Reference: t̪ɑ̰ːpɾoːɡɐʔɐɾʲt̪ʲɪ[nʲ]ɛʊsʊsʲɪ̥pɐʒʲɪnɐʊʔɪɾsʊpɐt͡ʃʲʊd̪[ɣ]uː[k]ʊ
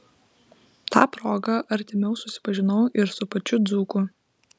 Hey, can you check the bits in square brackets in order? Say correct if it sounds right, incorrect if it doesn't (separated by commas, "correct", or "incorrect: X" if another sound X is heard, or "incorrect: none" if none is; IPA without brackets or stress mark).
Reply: incorrect: mʲ, incorrect: z, correct